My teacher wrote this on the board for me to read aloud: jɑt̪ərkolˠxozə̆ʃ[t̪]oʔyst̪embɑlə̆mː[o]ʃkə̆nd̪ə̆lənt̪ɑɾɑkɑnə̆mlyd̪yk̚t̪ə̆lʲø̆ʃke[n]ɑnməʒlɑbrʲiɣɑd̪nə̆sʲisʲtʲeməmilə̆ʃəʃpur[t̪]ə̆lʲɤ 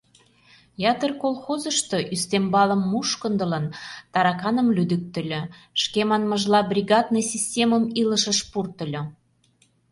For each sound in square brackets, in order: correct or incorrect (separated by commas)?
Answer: correct, incorrect, incorrect, correct